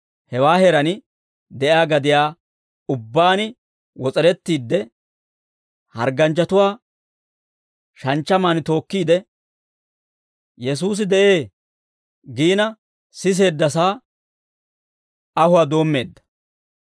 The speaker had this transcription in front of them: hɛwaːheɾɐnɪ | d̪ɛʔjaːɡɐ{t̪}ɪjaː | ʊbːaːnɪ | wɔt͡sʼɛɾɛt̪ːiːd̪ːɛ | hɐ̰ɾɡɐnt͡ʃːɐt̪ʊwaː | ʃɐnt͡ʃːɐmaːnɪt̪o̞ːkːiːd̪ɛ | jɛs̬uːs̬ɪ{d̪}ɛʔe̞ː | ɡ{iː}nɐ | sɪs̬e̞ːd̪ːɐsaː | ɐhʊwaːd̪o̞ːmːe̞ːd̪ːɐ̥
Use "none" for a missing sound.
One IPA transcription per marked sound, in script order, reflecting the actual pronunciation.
d̪, d̪, iː

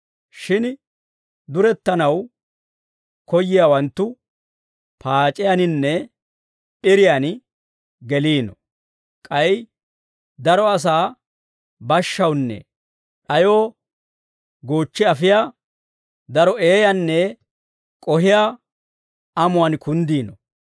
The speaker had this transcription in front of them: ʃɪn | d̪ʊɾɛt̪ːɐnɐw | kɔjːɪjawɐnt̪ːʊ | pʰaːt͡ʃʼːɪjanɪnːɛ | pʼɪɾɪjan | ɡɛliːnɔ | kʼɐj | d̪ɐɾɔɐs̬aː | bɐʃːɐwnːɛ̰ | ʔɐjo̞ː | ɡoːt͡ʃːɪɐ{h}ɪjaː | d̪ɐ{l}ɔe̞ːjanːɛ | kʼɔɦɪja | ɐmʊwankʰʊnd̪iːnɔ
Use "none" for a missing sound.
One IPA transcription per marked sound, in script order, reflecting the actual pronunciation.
f, ɾ

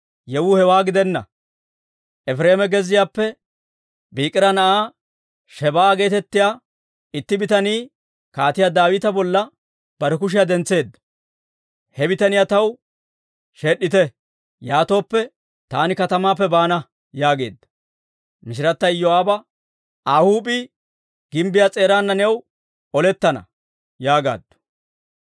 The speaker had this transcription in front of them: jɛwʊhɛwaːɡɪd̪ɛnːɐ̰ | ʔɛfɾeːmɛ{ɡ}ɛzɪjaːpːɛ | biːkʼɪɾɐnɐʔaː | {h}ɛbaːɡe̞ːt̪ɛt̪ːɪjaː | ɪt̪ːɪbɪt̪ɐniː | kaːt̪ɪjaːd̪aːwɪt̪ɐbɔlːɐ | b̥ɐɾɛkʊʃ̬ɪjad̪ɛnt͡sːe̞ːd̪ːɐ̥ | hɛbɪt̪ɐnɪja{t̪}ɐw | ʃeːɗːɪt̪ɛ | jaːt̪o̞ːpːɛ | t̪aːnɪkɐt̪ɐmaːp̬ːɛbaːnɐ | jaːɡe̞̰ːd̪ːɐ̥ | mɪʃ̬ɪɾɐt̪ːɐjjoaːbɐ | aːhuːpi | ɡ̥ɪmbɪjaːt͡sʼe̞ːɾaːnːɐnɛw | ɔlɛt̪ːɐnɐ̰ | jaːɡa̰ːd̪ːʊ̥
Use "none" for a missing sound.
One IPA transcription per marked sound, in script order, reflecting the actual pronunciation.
ɡ, ʃ, t̪

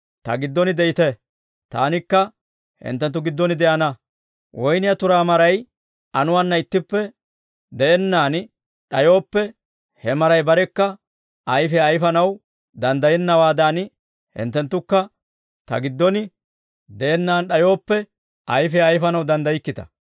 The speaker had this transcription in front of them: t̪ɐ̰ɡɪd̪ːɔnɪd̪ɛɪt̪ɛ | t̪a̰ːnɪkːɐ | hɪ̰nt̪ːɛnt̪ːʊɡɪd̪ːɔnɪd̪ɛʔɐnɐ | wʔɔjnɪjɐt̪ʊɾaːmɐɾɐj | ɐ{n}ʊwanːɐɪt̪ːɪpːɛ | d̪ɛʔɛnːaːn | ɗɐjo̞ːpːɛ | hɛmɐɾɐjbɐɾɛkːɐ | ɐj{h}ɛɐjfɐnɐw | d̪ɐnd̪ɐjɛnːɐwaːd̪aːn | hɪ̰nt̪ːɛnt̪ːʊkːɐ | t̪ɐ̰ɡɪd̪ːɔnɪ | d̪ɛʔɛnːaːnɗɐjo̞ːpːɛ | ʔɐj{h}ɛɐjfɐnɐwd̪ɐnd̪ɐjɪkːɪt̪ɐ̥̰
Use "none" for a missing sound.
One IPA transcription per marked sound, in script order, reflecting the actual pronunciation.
n, f, f

